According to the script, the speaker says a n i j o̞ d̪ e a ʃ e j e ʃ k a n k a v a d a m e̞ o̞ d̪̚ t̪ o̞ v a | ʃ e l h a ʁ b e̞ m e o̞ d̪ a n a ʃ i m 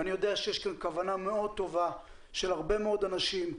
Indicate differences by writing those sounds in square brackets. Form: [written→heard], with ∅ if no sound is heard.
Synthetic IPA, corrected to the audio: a n i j o̞ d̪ e a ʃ e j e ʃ k a n k a v a [d→n] a m e̞ o̞ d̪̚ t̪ o̞ v a | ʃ e l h a ʁ b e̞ m e o̞ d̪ a n a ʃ i m